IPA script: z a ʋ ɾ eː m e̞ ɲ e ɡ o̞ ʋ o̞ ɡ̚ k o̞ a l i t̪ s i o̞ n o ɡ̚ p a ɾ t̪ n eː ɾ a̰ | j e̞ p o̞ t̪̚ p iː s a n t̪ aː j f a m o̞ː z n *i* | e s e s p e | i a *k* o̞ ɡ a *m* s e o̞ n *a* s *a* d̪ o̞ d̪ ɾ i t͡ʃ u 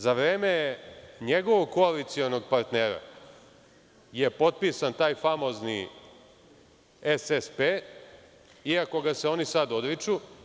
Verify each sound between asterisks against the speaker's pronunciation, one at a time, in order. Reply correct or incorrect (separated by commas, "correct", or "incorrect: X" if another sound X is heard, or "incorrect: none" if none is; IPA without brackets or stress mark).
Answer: correct, correct, incorrect: none, incorrect: i, correct